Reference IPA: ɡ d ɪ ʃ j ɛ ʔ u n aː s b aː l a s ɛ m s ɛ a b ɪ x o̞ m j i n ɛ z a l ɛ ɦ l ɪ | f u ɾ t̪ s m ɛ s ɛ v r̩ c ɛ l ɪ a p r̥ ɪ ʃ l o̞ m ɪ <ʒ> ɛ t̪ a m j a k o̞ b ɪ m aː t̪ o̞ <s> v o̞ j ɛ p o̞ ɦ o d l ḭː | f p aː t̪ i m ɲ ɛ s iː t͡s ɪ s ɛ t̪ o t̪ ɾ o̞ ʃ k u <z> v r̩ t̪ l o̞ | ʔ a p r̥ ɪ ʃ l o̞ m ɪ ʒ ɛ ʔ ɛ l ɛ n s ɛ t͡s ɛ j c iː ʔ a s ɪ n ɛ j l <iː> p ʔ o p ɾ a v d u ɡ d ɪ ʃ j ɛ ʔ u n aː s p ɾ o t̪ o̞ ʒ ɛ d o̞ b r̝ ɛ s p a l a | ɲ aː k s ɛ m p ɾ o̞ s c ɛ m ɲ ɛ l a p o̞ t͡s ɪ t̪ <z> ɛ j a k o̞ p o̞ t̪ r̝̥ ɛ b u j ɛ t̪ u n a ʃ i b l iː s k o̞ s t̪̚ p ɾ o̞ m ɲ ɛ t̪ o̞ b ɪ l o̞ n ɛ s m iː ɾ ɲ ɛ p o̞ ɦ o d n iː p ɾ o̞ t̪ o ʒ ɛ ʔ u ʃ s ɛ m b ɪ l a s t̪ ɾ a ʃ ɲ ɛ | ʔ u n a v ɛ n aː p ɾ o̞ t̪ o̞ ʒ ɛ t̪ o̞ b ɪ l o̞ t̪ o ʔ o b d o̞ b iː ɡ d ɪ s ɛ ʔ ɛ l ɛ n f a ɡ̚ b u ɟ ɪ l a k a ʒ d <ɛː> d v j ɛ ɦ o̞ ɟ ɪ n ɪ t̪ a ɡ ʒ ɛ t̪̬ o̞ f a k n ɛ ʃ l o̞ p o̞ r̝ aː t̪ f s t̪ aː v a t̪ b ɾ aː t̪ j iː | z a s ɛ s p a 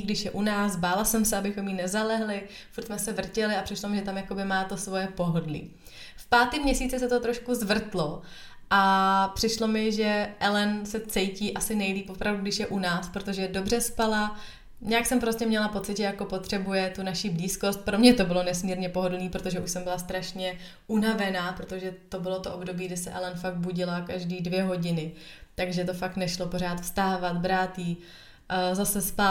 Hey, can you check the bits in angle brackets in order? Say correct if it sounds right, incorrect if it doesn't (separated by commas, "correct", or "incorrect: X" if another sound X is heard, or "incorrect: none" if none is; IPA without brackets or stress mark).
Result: correct, correct, correct, correct, incorrect: ʒ, incorrect: iː